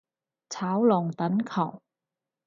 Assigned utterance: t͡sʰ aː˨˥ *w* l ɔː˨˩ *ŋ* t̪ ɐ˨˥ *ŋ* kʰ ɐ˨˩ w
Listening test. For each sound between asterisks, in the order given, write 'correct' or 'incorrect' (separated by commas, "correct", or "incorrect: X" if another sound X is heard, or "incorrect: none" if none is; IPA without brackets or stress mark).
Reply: correct, correct, incorrect: n